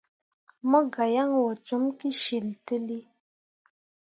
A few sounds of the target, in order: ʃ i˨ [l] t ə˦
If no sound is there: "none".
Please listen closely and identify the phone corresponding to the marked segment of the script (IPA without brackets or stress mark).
l